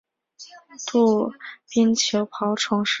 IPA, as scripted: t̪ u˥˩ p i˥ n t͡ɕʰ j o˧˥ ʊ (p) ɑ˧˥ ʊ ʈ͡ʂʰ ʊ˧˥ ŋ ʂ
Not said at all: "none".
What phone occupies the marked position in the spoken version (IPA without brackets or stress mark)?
pʰ